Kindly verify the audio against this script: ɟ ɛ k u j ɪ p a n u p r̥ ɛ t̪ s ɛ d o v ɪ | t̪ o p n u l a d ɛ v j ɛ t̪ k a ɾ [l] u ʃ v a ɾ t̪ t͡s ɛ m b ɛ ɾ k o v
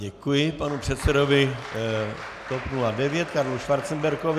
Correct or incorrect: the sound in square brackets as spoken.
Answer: correct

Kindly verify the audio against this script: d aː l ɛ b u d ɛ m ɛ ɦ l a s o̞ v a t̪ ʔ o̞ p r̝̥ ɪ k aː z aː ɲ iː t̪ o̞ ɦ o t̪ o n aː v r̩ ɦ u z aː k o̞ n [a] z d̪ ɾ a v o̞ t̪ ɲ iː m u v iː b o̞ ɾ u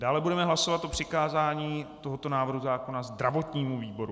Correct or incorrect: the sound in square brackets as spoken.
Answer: correct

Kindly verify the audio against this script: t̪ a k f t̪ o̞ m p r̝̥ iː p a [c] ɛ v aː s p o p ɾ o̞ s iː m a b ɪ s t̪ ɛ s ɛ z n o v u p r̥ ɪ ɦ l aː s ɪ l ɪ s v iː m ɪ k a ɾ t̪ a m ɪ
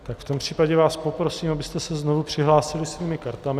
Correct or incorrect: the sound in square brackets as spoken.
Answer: incorrect: ɟ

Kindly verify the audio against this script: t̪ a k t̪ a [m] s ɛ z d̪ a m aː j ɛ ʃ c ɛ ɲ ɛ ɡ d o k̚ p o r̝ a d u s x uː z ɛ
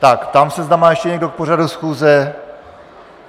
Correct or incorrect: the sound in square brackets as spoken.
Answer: correct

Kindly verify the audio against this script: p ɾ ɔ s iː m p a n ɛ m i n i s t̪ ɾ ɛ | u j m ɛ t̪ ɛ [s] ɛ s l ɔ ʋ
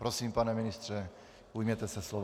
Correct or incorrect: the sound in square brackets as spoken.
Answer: correct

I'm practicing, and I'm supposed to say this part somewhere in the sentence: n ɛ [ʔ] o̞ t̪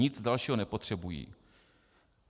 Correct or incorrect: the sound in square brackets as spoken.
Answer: incorrect: p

